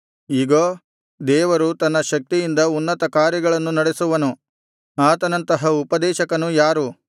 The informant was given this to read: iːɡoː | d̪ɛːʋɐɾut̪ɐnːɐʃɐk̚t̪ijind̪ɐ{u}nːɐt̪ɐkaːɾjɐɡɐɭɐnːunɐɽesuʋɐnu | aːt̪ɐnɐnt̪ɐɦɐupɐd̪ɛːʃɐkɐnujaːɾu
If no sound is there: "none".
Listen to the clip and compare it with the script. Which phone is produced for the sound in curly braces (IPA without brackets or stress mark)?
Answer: u